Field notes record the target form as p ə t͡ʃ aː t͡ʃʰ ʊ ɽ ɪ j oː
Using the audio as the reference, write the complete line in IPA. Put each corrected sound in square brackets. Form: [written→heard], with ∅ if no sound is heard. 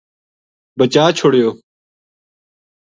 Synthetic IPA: [p→b] ə t͡ʃ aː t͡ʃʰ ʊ ɽ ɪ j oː